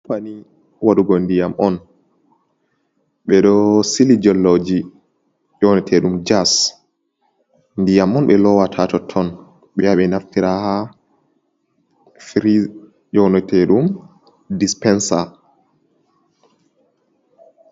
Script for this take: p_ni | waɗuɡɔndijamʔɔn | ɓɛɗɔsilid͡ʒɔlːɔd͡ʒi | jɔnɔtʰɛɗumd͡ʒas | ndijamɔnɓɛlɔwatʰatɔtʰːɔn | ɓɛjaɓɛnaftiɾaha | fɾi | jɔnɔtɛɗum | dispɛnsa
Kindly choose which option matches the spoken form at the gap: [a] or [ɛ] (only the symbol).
a